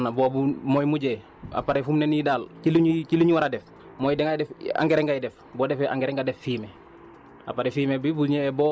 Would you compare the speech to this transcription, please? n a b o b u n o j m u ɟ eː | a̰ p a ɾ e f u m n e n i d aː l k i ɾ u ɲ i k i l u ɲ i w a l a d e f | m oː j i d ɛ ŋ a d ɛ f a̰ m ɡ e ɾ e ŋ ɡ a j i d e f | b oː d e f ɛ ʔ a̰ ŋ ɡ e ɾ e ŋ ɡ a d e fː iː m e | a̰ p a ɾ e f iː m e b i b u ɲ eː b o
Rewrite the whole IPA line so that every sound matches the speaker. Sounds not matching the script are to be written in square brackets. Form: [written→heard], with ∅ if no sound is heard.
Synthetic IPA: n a b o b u [n→m] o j m u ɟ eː | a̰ p a ɾ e f u m n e n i d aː l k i [ɾ→l] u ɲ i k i l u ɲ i w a [l→ɾ] a d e f | m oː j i d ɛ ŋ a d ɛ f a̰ [m→ŋ] ɡ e ɾ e ŋ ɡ a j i d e f | b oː d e f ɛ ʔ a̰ ŋ ɡ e ɾ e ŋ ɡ a d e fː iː m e | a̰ p a ɾ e f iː m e b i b u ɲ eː b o